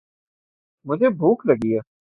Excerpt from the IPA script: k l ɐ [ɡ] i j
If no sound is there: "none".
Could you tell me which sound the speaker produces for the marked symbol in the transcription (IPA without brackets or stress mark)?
ɡ